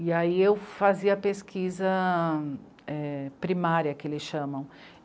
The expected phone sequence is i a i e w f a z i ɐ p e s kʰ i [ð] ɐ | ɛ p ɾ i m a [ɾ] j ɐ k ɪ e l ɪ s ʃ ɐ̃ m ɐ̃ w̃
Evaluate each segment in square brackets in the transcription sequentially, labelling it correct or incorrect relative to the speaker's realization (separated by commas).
incorrect, correct